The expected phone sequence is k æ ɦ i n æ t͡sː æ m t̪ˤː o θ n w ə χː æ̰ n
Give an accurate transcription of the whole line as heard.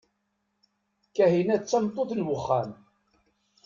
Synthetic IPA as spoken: k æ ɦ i n æ t͡sː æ m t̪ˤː o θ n w ə χː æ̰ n